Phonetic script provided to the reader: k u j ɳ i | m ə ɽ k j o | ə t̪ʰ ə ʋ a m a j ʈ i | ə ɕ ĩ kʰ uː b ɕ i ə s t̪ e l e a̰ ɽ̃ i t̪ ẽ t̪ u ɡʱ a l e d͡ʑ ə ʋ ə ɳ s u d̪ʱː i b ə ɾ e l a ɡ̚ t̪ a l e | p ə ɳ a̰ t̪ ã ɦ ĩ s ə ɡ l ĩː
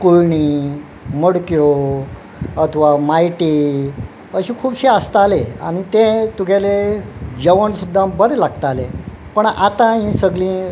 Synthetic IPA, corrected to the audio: k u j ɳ i | m ə ɽ k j o | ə t̪ʰ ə ʋ a m a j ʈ i | ə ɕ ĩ kʰ uː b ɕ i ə s t̪ a l e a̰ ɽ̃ i t̪ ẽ t̪ u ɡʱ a l e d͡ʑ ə ʋ ə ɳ s u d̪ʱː a b ə ɾ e l a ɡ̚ t̪ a l e | p ə ɳ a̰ t̪ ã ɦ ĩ s ə ɡ l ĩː